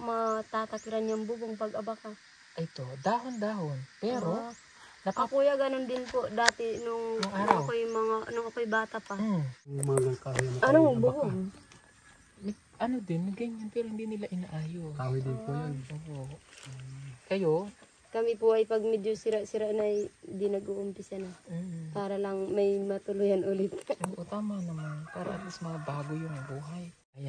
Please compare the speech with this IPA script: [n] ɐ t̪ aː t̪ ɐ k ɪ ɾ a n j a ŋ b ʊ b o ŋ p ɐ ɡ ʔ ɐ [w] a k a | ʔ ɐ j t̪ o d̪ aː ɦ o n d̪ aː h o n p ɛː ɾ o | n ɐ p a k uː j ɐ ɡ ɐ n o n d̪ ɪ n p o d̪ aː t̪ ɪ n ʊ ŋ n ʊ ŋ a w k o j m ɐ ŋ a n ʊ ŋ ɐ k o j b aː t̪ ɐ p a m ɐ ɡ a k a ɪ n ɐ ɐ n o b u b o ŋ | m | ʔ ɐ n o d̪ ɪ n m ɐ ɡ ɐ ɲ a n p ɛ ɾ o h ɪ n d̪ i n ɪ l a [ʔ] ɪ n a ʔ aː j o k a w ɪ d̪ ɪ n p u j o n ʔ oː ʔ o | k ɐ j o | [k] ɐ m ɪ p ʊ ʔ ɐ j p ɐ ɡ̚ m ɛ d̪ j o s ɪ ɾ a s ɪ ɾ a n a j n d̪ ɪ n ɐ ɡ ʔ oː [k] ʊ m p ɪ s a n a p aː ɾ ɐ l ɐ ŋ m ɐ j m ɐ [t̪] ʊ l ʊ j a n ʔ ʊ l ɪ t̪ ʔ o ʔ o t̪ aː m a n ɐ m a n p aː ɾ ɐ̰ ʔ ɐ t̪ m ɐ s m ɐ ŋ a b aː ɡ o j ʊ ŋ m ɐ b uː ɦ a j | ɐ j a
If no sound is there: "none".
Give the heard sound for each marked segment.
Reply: m, b, ʔ, k, ʔ, t̪

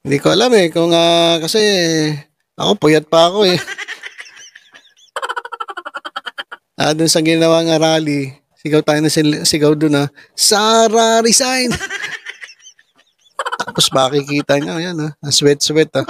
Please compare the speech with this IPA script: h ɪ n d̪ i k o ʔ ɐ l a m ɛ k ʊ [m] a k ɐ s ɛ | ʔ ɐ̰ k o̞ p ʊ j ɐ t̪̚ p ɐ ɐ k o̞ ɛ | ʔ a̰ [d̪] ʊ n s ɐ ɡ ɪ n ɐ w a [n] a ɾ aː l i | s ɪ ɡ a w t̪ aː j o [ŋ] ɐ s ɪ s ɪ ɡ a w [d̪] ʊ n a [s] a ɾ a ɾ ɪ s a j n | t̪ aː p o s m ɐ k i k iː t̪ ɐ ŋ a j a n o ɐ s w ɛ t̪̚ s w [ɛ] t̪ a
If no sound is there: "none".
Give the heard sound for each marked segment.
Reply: ŋ, d̪, ŋ, n, d̪, s, ɛ

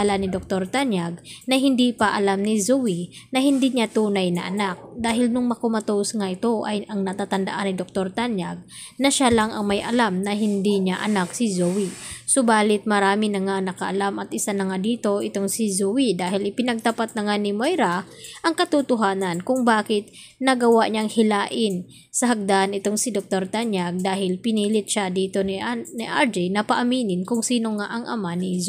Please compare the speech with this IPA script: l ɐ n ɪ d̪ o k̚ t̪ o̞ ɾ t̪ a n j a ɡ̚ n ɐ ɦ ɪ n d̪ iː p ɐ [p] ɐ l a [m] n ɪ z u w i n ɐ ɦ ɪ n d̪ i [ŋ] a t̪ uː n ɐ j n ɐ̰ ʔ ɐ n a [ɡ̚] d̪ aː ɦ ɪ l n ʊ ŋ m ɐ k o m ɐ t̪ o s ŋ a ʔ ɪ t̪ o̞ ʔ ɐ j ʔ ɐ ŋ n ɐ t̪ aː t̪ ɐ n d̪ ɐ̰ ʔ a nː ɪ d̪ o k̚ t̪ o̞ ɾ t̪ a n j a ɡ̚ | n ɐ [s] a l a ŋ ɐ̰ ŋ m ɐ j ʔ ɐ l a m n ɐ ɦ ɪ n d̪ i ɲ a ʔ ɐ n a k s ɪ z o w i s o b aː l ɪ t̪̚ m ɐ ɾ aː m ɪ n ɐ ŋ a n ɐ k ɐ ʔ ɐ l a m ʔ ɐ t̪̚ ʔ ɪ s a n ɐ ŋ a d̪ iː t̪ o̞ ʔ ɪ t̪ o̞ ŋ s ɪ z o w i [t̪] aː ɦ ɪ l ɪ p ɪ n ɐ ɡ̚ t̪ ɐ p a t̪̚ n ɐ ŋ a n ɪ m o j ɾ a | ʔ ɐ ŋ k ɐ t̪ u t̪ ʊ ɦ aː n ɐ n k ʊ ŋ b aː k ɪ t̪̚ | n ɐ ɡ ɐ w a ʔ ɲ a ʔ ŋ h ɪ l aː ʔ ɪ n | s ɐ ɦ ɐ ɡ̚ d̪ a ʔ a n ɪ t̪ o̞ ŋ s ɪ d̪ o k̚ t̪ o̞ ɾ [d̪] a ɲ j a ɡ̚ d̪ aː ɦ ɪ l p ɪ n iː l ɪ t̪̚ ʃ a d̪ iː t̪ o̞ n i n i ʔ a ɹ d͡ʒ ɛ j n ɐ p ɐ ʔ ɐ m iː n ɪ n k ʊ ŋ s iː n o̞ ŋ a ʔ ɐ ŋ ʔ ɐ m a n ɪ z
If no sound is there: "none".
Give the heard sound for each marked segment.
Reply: ʔ, m, ɲ, k̚, ʃ, d̪, t̪

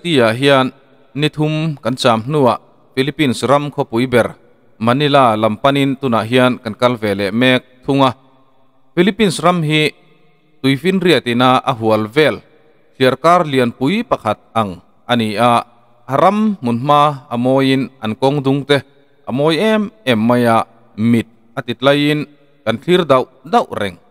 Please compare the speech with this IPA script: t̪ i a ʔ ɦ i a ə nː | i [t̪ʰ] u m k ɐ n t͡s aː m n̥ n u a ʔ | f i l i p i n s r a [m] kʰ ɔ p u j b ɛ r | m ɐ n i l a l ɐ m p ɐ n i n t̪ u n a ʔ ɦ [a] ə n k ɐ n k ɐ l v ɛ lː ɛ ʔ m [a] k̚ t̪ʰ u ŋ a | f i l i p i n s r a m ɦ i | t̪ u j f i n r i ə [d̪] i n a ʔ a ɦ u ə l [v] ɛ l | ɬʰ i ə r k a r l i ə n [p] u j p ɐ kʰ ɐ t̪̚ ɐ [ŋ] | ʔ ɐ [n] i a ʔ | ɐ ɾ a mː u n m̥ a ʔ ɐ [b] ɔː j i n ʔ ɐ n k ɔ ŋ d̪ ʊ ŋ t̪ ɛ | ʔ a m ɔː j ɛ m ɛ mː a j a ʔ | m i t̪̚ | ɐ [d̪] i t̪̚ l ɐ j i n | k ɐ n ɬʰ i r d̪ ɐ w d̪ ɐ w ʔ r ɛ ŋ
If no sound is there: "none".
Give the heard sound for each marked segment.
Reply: t̪ʰ, m, i, ɛ, t̪, v, p, ŋ, n, m, t̪

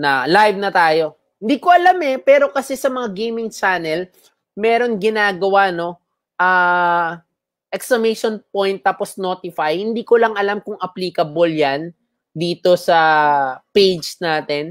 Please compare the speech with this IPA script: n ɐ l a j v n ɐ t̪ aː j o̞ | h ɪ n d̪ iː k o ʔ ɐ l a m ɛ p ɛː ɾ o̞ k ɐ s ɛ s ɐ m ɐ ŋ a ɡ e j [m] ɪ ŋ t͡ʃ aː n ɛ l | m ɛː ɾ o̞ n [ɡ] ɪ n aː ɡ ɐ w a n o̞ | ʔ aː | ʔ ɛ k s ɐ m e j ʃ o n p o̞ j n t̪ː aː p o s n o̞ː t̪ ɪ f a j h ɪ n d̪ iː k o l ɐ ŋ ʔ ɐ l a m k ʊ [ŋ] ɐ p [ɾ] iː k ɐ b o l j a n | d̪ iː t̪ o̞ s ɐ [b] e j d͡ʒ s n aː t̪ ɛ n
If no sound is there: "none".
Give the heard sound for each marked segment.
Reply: m, ɡ, ŋ, l, p

